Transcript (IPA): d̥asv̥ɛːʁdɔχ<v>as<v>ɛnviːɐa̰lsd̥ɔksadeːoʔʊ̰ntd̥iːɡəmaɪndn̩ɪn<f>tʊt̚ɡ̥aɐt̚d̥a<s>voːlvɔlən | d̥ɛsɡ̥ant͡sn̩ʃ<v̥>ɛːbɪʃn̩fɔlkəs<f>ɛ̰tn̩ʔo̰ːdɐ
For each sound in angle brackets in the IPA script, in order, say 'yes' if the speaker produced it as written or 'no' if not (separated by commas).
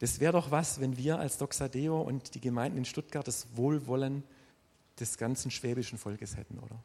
yes, yes, no, yes, yes, no